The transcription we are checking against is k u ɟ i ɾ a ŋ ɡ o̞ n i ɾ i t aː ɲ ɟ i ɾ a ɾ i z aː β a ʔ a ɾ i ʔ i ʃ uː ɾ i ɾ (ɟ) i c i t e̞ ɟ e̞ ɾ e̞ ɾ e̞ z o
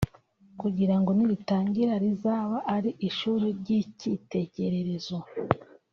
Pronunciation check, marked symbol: correct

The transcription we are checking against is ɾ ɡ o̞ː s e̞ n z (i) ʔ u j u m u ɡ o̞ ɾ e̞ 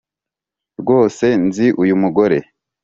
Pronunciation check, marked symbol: correct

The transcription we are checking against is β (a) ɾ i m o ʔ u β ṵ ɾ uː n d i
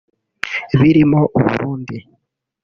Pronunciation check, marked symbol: incorrect: i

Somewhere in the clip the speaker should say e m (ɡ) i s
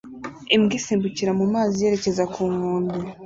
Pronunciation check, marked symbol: correct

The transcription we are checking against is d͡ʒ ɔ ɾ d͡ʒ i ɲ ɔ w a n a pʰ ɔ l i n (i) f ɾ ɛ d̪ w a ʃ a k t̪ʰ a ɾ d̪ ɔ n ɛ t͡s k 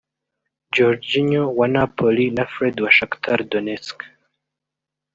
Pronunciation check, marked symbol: incorrect: a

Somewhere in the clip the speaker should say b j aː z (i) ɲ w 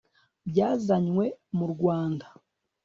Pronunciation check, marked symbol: incorrect: a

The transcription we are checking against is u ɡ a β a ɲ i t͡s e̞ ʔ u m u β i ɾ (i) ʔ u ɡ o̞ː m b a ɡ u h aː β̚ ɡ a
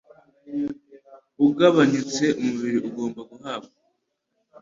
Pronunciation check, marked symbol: correct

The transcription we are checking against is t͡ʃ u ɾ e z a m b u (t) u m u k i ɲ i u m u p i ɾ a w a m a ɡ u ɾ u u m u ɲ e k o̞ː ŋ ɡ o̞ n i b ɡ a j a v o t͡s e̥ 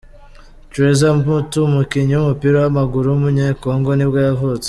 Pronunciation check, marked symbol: correct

